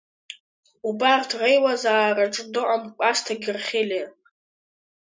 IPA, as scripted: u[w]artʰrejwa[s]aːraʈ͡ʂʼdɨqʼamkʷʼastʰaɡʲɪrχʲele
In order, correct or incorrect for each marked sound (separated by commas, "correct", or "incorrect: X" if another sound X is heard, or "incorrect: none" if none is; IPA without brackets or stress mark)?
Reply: incorrect: b, incorrect: z